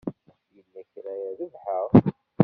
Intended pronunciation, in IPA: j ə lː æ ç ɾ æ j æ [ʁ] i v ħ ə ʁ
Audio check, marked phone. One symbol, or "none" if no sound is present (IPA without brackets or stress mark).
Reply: ð